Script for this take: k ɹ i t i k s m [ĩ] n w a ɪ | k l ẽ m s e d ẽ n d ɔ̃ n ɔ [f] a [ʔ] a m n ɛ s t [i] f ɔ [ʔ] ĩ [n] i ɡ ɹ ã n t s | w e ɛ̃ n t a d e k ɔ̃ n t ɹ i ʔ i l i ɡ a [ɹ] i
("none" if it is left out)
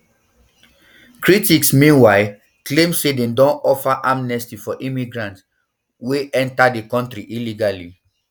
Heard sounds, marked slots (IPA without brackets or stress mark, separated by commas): ĩ, f, ʔ, i, ʔ, m, l